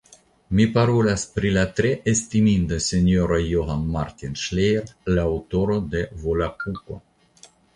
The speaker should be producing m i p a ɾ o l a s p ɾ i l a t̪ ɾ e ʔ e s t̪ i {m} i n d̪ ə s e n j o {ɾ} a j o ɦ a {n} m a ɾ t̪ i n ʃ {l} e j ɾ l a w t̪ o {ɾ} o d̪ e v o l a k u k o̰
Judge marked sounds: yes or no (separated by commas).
yes, yes, yes, yes, yes